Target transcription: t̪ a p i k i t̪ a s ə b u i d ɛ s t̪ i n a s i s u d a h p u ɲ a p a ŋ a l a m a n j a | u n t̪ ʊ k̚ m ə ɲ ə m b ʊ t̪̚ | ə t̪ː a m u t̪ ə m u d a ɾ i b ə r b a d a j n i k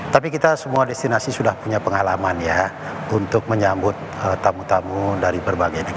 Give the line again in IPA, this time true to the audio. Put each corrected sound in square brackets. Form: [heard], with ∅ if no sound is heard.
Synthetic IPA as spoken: t̪ a p i k i t̪ a s ə [m] u [a] d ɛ s t̪ i n a s i s u d a h p u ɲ a p [ə] ŋ a l a m a n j a | u n t̪ ʊ k̚ m ə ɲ [a] m b ʊ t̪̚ | ə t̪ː a m u t̪ [a] m u d a ɾ i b ə r b a [ɡ] a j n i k